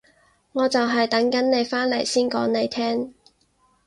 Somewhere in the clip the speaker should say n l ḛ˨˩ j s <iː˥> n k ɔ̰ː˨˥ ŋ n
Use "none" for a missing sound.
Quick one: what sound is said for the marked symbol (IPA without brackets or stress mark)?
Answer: iː˥